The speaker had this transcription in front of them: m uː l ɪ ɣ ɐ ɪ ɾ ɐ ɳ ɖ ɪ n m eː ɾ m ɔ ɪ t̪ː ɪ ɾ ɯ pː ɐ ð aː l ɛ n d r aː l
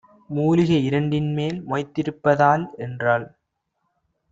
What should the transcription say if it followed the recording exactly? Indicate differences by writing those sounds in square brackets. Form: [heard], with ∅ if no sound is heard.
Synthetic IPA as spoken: m uː l ɪ ɣ ɐ ɪ ɾ ɐ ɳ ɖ ɪ n m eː [l] m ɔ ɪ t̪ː ɪ ɾ ɯ pː ɐ ð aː l ɛ n d r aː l